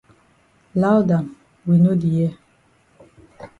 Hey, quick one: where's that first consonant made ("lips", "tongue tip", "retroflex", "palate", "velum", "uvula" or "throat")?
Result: tongue tip